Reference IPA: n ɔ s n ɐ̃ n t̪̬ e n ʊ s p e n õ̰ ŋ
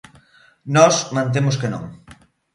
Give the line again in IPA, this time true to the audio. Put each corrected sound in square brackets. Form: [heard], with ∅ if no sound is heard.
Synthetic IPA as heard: n ɔ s [m] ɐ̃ n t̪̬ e [m] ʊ s [k] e n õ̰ ŋ